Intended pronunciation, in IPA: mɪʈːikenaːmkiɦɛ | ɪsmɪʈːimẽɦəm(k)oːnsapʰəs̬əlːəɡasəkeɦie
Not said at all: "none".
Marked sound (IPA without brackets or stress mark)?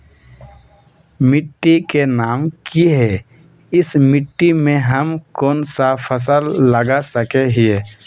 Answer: k